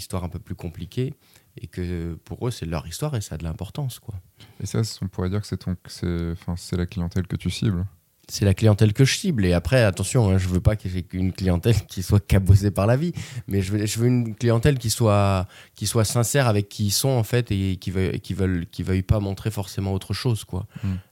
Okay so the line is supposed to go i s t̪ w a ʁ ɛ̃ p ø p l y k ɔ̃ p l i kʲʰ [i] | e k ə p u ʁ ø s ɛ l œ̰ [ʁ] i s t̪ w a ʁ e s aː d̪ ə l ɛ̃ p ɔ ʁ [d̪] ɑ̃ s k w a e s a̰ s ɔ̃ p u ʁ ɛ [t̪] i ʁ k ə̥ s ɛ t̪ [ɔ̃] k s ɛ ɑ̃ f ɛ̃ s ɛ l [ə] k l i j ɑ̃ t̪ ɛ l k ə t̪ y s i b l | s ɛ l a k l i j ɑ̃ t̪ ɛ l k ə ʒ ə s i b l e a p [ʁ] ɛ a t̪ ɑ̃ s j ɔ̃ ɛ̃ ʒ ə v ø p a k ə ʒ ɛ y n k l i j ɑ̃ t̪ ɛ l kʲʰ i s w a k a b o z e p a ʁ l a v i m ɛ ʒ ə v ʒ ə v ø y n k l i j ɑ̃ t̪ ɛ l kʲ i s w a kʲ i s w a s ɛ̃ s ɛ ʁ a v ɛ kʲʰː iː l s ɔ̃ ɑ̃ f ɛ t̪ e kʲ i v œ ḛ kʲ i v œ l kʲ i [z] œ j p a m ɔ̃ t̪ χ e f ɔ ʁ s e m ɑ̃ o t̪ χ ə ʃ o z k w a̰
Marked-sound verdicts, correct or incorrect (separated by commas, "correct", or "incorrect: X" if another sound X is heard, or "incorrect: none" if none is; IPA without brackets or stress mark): incorrect: e, correct, incorrect: t̪, incorrect: d̪, correct, incorrect: a, incorrect: χ, incorrect: v